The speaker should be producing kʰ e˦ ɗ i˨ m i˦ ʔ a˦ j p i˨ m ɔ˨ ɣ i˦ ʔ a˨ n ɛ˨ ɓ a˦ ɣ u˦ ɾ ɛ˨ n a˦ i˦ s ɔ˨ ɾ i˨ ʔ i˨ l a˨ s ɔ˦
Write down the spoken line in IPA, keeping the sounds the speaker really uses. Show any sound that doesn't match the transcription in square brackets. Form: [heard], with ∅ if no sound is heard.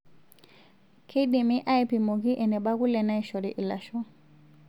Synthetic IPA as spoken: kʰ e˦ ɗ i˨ m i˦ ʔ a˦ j p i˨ m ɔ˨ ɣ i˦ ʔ [ɛ˨] n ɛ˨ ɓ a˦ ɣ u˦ [l] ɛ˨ n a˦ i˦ [ʃ] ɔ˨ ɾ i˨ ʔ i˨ l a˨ [ʃ] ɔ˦